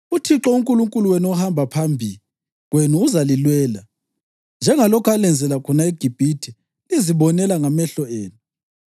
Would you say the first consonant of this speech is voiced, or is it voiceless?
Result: voiceless